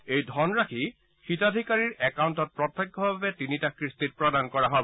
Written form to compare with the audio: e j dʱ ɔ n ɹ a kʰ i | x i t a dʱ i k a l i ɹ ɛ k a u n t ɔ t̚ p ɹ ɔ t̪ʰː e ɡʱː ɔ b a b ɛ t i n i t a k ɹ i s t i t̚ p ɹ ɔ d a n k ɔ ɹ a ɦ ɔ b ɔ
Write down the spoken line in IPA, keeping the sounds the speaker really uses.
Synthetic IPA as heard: e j dʱ ɔ n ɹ a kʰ i | x i t a dʱ i k a ɹ i ɹ ɛ k a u n t ɔ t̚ p ɹ ɔ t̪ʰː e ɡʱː ɔ b a b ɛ t i n i t a k ɹ i s t i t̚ p ɹ ɔ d a n k ɔ ɹ a ɦ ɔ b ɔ